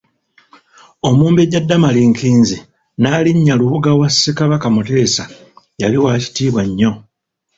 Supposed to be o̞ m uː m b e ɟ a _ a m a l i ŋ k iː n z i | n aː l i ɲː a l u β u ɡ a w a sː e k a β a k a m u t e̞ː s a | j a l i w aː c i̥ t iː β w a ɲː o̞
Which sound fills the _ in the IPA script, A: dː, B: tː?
A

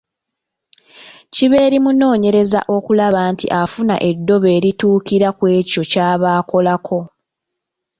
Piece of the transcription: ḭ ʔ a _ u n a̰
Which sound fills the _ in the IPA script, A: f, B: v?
A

